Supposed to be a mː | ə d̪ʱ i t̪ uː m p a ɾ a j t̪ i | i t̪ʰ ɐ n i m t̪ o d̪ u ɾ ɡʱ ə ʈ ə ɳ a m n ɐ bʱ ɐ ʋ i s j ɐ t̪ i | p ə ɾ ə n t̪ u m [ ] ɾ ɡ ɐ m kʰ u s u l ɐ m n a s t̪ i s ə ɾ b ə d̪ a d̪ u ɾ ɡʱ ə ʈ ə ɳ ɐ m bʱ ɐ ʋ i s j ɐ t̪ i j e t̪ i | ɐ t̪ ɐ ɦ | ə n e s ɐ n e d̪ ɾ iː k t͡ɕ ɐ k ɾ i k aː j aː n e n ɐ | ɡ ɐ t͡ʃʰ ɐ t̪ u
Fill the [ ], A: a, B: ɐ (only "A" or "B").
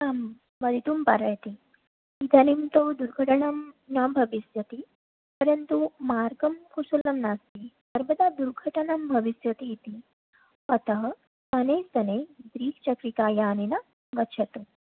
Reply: A